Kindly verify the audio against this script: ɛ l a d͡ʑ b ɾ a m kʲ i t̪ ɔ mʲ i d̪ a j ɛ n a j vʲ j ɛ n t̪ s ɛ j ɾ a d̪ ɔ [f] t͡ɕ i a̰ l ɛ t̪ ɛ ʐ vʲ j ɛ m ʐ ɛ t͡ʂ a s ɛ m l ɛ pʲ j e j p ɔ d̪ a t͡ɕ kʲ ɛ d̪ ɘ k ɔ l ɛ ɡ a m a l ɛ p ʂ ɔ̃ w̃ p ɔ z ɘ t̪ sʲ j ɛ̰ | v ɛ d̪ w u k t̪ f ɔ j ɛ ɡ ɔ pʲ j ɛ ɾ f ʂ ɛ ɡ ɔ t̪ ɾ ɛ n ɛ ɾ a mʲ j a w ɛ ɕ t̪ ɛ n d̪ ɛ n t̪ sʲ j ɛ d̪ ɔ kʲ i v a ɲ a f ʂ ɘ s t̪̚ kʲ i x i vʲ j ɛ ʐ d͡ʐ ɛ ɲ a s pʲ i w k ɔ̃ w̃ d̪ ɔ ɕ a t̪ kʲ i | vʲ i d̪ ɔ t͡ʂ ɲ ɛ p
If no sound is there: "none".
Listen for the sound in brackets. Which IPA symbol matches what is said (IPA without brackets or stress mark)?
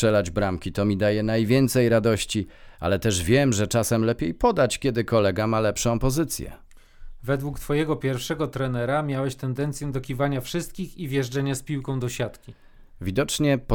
ɕ